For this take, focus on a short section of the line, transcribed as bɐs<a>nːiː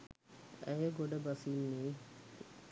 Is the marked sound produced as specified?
no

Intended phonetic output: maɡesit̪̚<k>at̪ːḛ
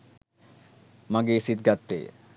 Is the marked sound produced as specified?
no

